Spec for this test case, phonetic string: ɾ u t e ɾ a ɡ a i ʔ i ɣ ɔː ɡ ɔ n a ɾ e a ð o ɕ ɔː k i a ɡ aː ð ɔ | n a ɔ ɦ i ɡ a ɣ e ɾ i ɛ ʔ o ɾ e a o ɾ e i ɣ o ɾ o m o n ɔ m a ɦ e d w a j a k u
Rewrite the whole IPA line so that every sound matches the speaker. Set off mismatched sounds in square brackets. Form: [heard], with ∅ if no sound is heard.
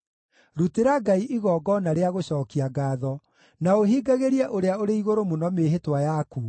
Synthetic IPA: ɾ u t e ɾ a ɡ a i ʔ i ɣ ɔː ɡ ɔ n a ɾ e a [ɣ] o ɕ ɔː k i a ɡ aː ð ɔ | n a [o] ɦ i ɡ a ɣ e ɾ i ɛ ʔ o ɾ e a o ɾ e i ɣ o ɾ o m o n ɔ m [e] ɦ e [t] w a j a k u